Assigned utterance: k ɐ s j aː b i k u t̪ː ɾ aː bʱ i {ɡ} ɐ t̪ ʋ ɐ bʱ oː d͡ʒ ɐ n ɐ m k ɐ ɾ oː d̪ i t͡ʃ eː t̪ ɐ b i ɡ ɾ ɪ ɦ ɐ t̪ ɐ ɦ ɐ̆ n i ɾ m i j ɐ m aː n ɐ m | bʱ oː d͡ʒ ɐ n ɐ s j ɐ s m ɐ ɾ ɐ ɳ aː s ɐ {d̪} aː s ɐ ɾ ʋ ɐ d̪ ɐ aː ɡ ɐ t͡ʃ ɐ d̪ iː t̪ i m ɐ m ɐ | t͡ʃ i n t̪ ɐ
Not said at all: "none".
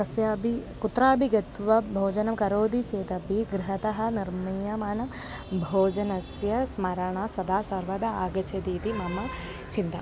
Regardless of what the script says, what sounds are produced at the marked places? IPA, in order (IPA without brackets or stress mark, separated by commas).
ɡ, d̪